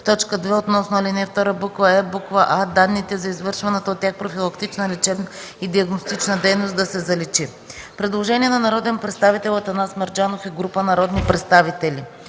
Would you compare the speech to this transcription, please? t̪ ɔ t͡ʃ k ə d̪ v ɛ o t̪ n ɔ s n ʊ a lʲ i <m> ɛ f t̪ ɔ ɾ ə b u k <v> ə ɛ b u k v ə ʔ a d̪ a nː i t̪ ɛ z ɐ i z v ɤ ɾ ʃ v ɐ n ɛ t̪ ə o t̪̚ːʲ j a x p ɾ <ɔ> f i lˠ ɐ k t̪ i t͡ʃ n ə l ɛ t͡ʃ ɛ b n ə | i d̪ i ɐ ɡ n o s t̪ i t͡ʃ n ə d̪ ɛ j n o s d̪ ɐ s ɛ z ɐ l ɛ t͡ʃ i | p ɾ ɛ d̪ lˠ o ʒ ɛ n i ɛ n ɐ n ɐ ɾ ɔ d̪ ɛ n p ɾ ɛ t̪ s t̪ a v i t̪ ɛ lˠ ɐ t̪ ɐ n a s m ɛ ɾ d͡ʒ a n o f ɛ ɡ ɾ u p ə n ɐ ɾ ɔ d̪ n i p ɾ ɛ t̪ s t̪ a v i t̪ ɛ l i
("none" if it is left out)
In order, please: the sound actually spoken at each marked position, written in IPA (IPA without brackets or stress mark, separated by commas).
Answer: n, v, o